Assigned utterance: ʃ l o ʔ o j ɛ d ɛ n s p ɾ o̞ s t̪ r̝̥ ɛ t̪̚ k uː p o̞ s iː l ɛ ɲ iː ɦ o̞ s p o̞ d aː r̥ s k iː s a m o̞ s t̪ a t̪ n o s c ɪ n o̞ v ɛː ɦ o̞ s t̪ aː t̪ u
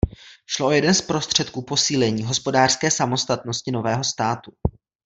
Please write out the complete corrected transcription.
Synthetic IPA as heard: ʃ l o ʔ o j ɛ d ɛ n s p ɾ o̞ s t̪ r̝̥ ɛ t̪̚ k uː p o̞ s iː l ɛ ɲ iː ɦ o̞ s p o̞ d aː r̥ s k ɛː s a m o̞ s t̪ a t̪ n o s c ɪ n o̞ v ɛː ɦ o̞ s t̪ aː t̪ u